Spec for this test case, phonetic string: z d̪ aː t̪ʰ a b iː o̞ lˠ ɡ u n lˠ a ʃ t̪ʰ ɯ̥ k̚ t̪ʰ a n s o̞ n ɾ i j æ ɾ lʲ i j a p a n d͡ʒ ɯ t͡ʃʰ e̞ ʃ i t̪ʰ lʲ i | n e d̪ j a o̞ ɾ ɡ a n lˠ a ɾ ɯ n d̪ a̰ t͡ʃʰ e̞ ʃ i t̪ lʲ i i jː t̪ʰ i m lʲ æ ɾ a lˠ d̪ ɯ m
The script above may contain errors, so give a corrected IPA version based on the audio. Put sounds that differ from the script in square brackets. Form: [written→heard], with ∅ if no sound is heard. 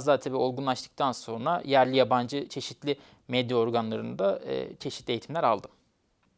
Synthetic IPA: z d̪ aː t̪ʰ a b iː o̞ lˠ ɡ u n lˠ a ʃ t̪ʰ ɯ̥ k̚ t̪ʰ a n s o̞ n ɾ [i→a] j æ ɾ lʲ i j a [p→b] a n d͡ʒ ɯ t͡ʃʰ e̞ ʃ i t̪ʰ lʲ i | [n→m] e d̪ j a o̞ ɾ ɡ a n lˠ a ɾ ɯ n d̪ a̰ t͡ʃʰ e̞ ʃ i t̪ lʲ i [i→e] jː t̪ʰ i m lʲ æ ɾ a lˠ d̪ ɯ m